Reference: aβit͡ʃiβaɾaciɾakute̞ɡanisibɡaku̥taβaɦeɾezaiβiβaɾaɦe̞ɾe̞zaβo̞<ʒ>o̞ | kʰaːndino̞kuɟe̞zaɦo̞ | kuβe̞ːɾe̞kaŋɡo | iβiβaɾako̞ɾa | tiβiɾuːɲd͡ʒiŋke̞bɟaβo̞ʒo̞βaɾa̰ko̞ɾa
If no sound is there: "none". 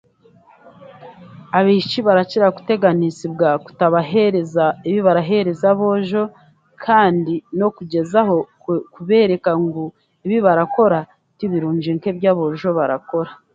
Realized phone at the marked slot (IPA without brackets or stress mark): ʒ